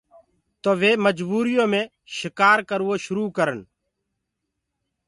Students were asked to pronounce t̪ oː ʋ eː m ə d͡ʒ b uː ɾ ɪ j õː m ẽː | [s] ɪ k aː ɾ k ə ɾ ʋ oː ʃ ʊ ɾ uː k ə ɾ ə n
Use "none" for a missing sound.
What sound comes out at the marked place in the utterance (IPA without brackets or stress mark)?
ʃ